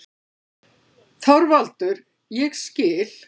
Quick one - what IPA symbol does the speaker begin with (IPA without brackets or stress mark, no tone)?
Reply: θ